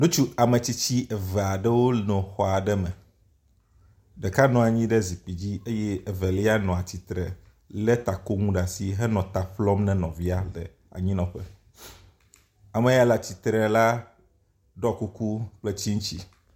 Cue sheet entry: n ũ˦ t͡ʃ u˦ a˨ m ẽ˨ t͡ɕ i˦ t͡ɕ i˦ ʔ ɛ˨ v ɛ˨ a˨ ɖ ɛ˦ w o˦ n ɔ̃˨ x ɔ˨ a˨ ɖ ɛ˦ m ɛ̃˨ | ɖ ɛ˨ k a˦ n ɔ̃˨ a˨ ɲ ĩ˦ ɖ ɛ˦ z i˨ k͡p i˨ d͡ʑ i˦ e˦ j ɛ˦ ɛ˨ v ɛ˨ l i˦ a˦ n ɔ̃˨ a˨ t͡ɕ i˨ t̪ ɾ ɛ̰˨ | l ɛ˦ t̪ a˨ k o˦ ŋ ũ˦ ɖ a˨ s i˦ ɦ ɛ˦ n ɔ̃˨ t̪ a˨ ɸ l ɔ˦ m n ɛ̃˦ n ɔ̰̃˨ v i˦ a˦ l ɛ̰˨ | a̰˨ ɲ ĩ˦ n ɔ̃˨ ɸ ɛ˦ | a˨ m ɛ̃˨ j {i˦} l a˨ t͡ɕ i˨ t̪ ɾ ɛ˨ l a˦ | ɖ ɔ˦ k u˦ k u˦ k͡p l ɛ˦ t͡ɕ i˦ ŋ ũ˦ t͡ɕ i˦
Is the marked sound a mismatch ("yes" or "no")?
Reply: yes